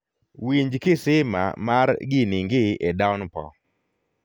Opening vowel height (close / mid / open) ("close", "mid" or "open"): close